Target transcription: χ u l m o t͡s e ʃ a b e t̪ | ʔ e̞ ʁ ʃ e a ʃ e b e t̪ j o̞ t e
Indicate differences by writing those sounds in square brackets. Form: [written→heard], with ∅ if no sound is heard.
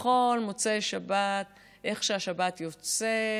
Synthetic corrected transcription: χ [u→o] l m o t͡s e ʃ a b [e→a] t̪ | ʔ e̞ [ʁ→χ] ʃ e a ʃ [e→a] b [e→a] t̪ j o̞ [t→t͡s] e